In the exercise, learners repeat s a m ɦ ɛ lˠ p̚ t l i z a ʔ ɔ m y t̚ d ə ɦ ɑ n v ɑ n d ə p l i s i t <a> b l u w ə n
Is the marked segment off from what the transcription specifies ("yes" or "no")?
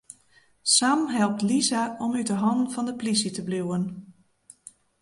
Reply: yes